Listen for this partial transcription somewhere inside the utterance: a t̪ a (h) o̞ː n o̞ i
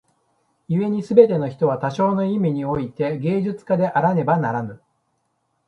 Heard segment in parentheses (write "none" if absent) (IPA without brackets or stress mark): ɕ